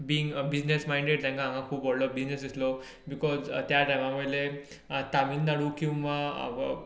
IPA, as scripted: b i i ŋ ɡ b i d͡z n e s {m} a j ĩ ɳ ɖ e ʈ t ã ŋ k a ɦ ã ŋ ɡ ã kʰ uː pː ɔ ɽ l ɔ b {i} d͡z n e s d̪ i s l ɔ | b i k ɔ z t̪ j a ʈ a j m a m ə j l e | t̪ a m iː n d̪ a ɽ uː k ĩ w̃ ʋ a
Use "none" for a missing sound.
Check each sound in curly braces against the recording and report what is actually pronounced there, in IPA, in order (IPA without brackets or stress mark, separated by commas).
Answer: m, i